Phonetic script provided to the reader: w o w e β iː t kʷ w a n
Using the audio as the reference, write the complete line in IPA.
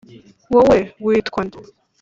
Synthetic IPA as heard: w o w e w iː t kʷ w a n